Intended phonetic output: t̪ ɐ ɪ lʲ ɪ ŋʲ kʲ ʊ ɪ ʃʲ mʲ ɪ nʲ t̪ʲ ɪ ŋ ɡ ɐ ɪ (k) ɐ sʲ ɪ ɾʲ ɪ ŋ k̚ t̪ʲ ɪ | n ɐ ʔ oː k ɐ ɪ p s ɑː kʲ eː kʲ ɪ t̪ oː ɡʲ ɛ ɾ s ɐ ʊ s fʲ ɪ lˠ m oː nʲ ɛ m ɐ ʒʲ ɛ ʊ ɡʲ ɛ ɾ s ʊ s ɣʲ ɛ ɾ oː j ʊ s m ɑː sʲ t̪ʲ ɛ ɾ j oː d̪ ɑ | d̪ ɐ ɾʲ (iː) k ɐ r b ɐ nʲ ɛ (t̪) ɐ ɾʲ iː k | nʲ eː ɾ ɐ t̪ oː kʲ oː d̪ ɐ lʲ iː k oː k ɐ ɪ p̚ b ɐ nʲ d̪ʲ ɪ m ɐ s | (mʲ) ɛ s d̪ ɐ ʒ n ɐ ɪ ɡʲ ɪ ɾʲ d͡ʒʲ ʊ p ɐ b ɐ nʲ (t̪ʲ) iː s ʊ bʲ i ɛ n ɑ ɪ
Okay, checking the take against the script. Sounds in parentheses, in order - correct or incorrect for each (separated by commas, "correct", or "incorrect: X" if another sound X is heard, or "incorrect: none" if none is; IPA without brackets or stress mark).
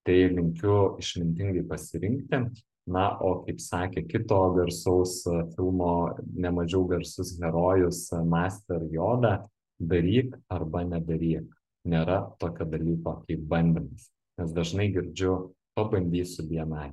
incorrect: p, correct, incorrect: d̪, incorrect: nʲ, incorrect: d̪ʲ